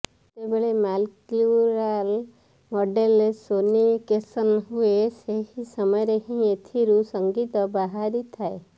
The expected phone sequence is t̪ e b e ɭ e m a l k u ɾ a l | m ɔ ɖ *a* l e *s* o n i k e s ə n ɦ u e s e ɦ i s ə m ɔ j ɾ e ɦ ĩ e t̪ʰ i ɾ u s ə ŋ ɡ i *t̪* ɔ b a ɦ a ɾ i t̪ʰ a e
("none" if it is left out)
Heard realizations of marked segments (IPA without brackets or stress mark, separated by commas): e, s, t̪